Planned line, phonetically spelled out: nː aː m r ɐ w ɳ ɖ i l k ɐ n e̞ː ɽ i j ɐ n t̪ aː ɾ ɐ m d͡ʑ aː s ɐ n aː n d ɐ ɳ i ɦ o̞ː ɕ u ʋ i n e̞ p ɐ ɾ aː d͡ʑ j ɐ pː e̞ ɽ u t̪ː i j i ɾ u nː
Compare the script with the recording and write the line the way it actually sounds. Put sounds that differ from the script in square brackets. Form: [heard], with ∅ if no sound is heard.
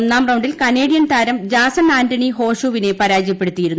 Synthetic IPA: nː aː m r ɐ w ɳ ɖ i l k ɐ n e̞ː ɽ i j ɐ n t̪ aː ɾ ɐ m d͡ʑ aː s ɐ n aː n d ɐ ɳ i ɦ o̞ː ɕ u ʋ i n e̞ p ɐ ɾ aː d͡ʑ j ɐ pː e̞ ɽ u t̪ː i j i ɾ u nː